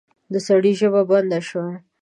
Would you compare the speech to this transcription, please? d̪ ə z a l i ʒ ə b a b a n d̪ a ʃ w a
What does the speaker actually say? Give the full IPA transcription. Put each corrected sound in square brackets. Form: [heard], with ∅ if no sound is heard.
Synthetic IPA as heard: d̪ ə [s] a [ɽ] i ʒ ə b a b a n d̪ a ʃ w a